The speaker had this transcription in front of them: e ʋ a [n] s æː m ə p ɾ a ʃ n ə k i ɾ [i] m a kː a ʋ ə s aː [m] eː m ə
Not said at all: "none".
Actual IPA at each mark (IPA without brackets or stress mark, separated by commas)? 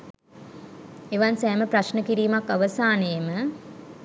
n, iː, n